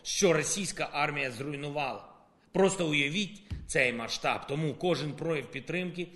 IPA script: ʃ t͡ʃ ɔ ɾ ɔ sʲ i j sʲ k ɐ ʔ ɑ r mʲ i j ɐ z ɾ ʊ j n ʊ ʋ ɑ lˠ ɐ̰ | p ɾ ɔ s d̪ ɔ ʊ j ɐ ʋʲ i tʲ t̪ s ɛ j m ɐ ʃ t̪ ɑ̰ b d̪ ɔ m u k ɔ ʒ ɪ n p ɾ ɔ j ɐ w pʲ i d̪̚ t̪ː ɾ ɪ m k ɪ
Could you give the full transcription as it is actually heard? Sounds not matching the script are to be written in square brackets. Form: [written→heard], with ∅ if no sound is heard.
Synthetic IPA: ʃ t͡ʃ ɔ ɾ ɔ sʲ i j sʲ k ɐ ʔ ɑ r mʲ i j ɐ z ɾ ʊ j n ʊ ʋ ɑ lˠ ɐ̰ | p ɾ ɔ s [d̪→t̪] ɔ ʊ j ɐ ʋʲ i tʲ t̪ s ɛ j m ɐ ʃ t̪ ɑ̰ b [d̪→t̪] ɔ m u k ɔ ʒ ɪ n p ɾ ɔ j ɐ w pʲ i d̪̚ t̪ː ɾ ɪ m k ɪ